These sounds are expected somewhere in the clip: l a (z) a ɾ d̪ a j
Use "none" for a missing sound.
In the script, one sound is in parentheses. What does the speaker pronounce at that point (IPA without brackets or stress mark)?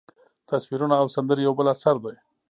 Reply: s